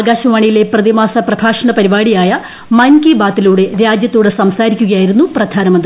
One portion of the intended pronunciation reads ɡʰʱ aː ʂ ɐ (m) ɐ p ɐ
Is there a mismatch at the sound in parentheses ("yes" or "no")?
yes